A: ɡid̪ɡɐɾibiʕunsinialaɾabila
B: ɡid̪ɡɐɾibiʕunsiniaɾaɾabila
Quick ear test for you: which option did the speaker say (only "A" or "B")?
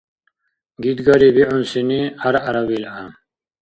B